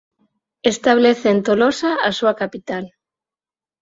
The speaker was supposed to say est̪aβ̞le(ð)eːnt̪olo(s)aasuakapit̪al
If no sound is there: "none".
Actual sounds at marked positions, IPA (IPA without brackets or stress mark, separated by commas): θ, s